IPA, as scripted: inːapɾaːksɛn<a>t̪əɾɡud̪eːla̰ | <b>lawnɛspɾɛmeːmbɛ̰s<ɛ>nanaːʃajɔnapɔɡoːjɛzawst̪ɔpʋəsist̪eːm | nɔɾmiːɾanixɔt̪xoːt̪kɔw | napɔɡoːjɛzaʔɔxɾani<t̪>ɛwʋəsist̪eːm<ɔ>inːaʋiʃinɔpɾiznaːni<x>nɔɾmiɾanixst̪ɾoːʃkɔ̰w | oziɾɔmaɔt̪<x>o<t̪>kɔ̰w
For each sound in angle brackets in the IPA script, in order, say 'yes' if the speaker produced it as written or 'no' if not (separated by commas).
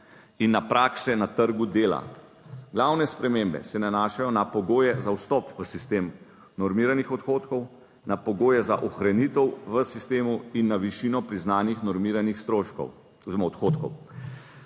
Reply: yes, no, yes, yes, no, yes, yes, yes